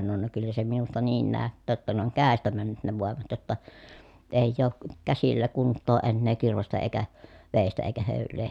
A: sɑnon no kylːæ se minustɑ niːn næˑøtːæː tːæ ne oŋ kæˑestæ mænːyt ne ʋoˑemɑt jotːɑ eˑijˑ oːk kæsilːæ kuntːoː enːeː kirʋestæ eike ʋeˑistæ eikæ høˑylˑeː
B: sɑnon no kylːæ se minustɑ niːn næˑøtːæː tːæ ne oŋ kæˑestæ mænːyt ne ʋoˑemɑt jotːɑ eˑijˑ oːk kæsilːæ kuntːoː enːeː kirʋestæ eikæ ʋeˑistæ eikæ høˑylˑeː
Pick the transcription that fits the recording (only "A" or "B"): B